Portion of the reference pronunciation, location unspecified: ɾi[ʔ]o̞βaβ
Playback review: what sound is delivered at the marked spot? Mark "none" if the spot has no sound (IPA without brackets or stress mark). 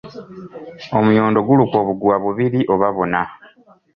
ʔ